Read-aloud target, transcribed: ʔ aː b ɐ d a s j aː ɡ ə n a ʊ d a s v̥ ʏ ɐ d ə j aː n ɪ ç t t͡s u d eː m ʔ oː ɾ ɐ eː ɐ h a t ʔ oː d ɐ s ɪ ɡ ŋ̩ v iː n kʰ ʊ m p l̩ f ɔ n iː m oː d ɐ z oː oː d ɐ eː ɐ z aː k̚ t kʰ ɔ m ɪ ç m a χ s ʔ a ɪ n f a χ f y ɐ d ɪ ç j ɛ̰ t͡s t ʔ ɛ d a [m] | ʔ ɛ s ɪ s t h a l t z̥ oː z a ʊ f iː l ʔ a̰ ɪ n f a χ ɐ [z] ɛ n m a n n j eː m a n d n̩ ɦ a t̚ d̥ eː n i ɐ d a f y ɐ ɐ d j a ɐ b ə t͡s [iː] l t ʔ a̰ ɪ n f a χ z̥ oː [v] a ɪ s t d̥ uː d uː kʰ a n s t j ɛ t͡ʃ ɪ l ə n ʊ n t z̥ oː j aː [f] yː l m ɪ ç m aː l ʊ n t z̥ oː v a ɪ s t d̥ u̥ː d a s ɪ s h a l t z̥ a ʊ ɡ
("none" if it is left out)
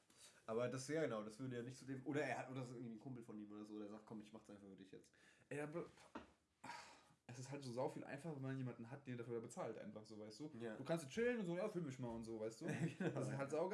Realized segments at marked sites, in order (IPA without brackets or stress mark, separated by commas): b, v, aː, v, f